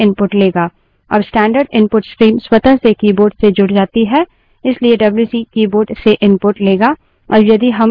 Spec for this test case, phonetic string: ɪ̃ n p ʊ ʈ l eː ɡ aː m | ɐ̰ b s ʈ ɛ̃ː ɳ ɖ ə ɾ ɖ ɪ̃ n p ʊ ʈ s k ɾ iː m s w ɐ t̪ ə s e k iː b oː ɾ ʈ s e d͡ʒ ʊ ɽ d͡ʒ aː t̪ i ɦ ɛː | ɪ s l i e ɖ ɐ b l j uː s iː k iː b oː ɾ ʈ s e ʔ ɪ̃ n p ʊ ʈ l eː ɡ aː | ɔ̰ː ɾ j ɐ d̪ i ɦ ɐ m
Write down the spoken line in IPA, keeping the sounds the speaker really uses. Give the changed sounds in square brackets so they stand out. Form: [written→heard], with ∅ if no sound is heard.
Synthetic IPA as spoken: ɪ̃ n p ʊ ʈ l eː ɡ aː [m→∅] | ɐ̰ b s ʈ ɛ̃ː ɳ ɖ ə ɾ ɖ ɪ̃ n p ʊ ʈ s k ɾ iː m s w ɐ t̪ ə s e k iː b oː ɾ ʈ s e d͡ʒ ʊ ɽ d͡ʒ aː t̪ i ɦ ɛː | ɪ s l i e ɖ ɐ b l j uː s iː k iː b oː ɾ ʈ s e ʔ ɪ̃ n p ʊ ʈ l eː ɡ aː | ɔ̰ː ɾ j ɐ d̪ i ɦ ɐ m